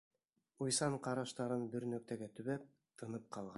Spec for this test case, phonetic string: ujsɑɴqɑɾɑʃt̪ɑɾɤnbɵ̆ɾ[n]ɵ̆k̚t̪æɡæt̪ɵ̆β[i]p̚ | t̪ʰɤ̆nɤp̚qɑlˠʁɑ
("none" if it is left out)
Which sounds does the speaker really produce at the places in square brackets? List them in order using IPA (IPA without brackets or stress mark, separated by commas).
n, æ